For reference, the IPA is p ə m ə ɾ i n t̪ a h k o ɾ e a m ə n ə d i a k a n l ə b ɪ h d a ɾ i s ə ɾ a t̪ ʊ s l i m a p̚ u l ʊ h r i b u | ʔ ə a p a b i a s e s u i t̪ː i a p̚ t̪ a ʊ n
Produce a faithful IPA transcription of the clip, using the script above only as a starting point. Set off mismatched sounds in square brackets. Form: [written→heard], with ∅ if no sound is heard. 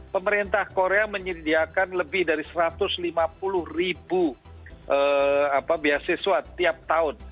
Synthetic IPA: p ə m ə ɾ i n t̪ a h k o ɾ e a m ə [n→ɲ] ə d i a k a n l ə b ɪ h d a ɾ i s ə ɾ a t̪ ʊ s l i m a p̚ u l ʊ h r i b u | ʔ ə a p a b i a s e s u [i→a] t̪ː i a p̚ t̪ a ʊ n